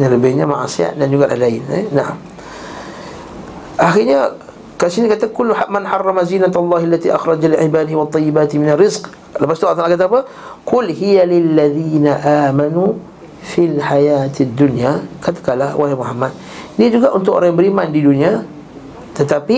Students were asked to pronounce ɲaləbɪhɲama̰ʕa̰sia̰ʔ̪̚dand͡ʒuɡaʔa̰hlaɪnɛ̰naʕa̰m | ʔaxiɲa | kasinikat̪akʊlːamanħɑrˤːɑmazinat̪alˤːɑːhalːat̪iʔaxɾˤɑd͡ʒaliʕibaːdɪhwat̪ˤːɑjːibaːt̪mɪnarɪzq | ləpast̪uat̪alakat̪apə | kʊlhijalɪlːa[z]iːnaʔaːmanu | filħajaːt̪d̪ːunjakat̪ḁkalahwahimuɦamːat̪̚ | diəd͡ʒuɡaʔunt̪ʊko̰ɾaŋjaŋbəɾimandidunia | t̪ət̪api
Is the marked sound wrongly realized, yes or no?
yes